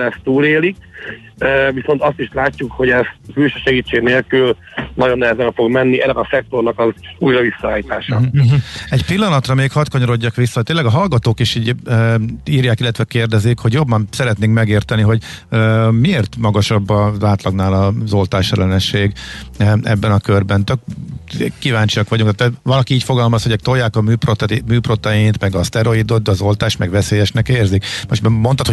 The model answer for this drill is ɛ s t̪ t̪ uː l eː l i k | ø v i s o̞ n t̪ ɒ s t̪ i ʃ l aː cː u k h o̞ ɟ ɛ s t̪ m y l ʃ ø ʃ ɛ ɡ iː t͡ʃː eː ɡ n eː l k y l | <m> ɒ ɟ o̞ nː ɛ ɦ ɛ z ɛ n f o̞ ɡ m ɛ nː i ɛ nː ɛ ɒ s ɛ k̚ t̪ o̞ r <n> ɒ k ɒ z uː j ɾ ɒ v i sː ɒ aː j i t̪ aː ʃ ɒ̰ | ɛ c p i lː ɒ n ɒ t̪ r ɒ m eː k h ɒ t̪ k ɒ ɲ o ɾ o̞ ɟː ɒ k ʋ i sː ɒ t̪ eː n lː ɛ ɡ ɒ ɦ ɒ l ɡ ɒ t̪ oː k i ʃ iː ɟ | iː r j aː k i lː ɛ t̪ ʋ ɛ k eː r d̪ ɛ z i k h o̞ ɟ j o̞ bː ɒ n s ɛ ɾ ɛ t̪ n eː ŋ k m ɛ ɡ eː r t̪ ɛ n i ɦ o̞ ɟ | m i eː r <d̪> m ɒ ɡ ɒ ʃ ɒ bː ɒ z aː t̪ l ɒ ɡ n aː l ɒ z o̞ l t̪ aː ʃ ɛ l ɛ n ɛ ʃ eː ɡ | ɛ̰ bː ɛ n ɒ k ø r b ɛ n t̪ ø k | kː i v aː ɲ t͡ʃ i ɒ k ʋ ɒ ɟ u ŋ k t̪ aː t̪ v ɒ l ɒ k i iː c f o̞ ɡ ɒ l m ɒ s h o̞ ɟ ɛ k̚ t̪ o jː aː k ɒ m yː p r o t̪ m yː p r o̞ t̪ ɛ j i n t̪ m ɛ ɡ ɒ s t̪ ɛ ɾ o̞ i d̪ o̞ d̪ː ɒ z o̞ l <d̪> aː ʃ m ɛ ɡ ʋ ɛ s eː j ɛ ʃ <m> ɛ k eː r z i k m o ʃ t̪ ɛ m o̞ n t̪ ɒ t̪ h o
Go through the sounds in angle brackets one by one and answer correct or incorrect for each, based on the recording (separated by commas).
incorrect, correct, incorrect, incorrect, incorrect